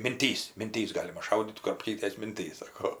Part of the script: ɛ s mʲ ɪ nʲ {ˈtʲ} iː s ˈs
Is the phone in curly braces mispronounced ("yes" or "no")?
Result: no